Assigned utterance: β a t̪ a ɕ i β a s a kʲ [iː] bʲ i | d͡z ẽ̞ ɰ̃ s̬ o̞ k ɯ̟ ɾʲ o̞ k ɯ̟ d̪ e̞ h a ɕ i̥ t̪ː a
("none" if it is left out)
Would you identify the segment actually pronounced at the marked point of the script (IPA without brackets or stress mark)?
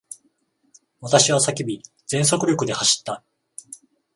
i